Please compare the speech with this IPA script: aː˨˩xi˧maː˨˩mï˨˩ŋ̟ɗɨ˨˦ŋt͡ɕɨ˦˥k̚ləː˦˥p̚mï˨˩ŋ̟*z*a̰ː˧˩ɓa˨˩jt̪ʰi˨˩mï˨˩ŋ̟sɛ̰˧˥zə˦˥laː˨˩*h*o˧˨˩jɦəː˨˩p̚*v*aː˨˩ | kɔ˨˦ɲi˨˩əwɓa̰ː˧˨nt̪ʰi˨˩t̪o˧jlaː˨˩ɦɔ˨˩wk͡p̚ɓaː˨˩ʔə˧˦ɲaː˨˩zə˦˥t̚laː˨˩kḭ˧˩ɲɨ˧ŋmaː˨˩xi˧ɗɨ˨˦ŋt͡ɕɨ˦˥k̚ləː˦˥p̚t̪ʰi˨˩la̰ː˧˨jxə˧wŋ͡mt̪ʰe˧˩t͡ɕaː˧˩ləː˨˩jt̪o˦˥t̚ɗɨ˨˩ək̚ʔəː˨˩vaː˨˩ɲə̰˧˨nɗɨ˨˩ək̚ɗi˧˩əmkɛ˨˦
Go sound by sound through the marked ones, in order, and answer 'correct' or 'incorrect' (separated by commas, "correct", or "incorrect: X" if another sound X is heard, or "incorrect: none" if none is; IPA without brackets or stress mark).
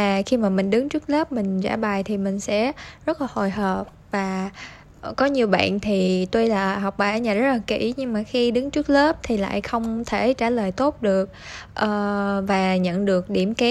correct, correct, correct